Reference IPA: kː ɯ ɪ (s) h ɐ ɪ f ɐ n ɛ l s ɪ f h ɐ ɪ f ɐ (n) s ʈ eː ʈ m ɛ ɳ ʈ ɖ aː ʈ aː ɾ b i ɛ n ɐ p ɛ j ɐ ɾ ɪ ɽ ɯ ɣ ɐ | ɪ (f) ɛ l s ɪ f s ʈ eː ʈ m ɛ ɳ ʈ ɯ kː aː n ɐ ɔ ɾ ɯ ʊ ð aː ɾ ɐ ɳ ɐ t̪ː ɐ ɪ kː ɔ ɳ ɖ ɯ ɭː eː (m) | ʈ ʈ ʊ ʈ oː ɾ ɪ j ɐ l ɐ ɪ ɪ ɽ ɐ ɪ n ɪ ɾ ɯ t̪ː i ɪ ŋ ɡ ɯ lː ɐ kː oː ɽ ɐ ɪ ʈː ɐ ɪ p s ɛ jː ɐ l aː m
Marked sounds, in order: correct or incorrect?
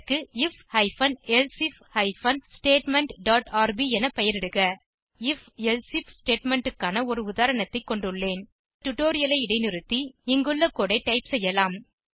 incorrect: f, correct, correct, incorrect: n

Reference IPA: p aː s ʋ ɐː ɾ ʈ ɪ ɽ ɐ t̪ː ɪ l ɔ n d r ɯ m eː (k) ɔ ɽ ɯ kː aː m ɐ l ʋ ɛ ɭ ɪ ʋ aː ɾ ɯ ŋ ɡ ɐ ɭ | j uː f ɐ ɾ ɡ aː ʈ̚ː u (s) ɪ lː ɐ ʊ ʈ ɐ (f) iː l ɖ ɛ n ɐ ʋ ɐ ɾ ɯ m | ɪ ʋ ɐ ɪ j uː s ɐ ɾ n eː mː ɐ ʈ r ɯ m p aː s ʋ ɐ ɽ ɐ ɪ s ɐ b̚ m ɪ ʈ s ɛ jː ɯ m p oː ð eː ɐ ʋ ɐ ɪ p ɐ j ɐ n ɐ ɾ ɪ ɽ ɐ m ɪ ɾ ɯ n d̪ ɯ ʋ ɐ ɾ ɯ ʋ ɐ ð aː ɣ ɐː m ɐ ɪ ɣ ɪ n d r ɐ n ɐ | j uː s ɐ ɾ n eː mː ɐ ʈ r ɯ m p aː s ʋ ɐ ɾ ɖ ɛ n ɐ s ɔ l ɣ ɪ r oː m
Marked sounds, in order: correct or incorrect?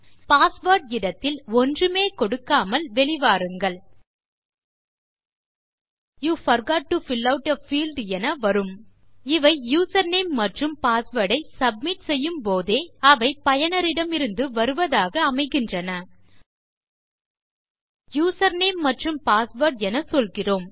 correct, incorrect: f, correct

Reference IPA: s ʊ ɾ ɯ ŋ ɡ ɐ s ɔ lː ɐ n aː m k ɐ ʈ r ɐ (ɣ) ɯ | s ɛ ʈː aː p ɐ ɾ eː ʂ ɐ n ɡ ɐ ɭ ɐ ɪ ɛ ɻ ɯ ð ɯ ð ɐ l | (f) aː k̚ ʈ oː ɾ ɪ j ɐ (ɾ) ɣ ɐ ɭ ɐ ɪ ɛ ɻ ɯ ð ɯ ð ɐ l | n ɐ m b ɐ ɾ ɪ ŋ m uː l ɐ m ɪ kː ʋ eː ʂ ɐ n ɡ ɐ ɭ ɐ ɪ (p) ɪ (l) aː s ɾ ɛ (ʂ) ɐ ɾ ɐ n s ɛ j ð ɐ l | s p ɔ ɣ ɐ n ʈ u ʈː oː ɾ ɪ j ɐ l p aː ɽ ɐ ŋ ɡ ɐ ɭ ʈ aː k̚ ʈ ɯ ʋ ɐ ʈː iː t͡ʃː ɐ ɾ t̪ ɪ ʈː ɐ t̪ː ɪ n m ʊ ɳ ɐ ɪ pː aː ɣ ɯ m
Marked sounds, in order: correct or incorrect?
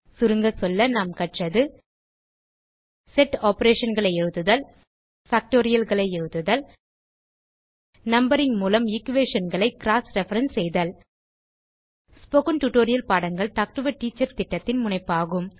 incorrect: ð, correct, incorrect: l, incorrect: k, incorrect: ɾ, incorrect: f

